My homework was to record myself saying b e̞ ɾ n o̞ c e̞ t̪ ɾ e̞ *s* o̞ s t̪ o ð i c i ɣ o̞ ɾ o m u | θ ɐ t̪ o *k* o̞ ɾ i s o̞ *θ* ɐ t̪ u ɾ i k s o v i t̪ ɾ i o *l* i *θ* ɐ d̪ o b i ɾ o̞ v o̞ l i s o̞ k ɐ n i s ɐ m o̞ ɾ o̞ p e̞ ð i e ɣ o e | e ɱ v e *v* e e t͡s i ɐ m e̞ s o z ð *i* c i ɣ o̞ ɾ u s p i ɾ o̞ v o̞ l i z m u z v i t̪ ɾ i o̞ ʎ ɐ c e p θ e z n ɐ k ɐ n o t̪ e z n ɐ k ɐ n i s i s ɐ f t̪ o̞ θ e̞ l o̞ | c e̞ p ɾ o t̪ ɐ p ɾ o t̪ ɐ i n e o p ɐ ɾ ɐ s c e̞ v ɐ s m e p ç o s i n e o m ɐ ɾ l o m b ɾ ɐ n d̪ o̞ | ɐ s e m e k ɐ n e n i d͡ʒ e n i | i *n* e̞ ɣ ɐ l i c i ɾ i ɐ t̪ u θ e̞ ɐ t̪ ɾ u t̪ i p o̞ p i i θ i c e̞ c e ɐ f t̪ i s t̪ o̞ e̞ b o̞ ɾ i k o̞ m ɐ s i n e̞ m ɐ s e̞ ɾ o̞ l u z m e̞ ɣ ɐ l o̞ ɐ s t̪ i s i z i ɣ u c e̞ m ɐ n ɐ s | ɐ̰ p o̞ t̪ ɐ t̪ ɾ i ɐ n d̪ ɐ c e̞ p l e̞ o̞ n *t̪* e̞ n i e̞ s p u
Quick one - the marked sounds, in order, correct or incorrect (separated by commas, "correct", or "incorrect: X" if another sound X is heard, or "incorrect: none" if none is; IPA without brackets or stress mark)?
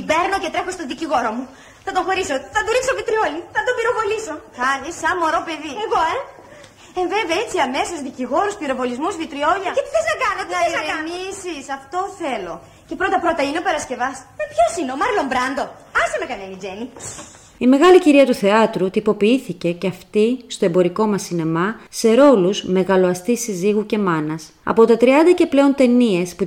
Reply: incorrect: x, incorrect: x, correct, correct, correct, correct, correct, incorrect: m, correct